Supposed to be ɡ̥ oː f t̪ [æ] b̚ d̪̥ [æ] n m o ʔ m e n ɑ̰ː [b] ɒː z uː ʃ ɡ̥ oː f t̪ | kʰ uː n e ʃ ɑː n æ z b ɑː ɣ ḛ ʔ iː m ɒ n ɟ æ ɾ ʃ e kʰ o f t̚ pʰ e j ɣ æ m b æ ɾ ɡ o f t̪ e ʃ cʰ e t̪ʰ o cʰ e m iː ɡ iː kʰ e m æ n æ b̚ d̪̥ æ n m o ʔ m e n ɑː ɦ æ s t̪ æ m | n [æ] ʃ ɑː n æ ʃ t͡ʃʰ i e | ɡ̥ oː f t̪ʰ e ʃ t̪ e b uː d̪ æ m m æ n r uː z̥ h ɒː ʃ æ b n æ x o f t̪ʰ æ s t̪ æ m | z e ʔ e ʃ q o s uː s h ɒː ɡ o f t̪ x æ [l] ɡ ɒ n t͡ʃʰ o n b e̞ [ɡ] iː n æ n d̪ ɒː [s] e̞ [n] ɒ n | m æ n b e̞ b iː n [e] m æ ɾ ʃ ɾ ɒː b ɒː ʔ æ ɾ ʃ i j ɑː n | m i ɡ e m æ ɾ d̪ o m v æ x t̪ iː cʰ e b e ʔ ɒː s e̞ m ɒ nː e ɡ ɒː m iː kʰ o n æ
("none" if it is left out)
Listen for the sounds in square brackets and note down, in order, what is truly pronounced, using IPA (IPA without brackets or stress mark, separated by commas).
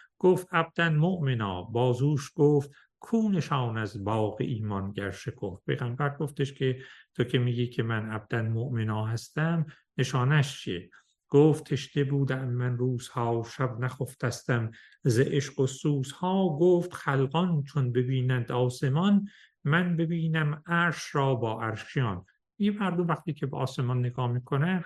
æ, æ, b, e, l, b, s, m, æ